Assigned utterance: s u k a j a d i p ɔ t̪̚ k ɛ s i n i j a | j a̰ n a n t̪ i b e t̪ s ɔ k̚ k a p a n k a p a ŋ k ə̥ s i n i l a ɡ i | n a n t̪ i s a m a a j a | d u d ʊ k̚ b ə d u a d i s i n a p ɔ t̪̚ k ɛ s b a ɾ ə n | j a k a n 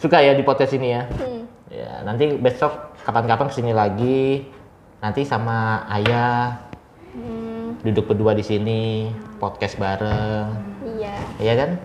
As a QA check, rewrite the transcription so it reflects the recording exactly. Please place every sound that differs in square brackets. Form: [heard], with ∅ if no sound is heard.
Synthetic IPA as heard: s u k a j a d i p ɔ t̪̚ k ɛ s i n i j a | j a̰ n a n t̪ i b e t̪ s ɔ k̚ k a p a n k a p a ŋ k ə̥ s i n i l a ɡ i | n a n t̪ i s a m a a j a | d u d ʊ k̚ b ə d u a d i s i n [i] p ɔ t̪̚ k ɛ s b a ɾ ə [ŋ] | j a k a n